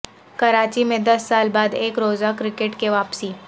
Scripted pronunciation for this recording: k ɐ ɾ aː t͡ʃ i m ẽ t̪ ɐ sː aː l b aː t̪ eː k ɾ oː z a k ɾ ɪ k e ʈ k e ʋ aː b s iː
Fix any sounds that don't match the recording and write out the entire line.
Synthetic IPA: k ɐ ɾ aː t͡ʃ i m ẽ d̪ ɐ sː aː l b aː d̪ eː k ɾ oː z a k ɾ ɪ k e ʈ k e ʋ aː p s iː